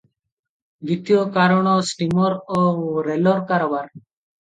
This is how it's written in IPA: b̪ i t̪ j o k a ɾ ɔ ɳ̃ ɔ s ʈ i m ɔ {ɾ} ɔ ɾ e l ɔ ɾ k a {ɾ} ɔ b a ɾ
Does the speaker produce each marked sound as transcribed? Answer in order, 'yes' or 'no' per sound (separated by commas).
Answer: yes, yes